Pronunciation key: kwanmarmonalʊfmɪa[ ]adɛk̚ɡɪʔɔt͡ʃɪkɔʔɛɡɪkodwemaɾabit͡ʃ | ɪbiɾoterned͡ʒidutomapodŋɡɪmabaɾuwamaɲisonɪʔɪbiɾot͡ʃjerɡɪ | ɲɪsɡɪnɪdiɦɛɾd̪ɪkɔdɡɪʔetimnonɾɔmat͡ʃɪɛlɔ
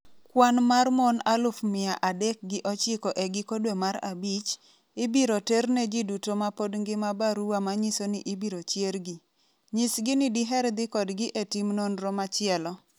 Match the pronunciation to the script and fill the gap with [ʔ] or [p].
ʔ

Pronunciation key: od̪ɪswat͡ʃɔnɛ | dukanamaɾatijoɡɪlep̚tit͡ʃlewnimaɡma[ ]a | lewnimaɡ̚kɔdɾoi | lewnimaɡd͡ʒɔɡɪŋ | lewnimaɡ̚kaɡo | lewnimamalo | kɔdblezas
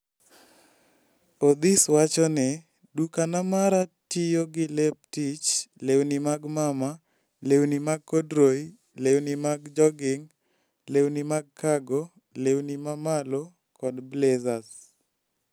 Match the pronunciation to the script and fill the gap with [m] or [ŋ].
m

